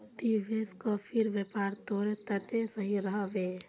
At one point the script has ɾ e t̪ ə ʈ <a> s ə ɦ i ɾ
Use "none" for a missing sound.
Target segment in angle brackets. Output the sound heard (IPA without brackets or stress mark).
e